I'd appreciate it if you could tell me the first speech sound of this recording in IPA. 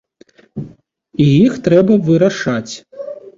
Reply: i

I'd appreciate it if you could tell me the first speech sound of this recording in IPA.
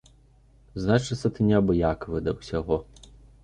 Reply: z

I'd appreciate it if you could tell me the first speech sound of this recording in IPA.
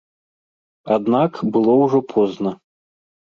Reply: a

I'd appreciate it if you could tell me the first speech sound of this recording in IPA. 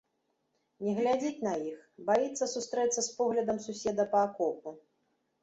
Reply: nʲ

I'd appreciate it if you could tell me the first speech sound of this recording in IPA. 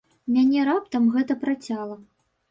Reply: mʲ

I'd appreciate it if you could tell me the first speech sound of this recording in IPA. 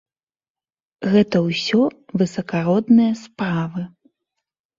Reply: ɣ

